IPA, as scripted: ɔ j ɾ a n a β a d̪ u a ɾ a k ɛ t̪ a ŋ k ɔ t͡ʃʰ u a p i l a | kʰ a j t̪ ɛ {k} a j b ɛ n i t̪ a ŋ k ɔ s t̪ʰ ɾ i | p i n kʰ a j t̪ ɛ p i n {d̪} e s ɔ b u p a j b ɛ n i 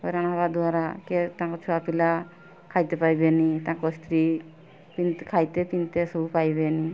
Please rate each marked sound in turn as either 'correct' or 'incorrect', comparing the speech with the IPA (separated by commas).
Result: incorrect, incorrect